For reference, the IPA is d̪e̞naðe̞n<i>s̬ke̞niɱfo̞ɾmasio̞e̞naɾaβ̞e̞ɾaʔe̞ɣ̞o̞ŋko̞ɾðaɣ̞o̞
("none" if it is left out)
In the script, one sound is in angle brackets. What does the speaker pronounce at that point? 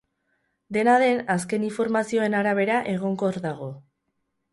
a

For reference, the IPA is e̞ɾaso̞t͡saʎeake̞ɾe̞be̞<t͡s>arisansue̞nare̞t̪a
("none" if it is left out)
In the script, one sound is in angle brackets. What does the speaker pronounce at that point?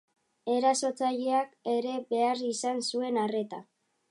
none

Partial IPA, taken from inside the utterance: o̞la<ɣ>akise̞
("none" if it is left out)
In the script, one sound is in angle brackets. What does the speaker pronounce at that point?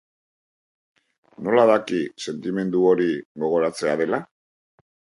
ð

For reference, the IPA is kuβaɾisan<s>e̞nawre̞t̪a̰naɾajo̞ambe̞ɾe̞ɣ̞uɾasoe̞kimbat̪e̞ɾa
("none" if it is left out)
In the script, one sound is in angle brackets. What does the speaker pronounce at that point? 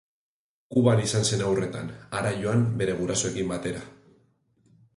s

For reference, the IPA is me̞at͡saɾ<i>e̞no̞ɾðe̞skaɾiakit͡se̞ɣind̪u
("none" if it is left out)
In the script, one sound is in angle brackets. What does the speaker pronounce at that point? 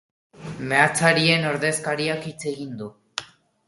i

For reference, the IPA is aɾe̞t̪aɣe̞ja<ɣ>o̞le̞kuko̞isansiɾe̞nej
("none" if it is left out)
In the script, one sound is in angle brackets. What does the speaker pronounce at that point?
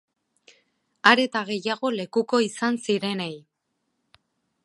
ɣ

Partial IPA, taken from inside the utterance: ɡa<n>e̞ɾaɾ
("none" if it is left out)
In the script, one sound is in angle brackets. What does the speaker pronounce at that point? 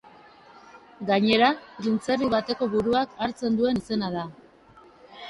ɲ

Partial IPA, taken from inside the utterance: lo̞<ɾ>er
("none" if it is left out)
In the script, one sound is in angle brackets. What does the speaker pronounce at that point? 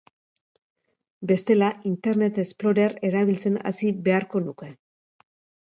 ɾ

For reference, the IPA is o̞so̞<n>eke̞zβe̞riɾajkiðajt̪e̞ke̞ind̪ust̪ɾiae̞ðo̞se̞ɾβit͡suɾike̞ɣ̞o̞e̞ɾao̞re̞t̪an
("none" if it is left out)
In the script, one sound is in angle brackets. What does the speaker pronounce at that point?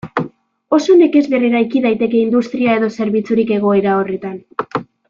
n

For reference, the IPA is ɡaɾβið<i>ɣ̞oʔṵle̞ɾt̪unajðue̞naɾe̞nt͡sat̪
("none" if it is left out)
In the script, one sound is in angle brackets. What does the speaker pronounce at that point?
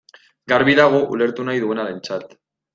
a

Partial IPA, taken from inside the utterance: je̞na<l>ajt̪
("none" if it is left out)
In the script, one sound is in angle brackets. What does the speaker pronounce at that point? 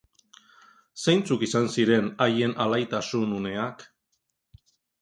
l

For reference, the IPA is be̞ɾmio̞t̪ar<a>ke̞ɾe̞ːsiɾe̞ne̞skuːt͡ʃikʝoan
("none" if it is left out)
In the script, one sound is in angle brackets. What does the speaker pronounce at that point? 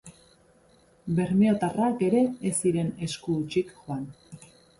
a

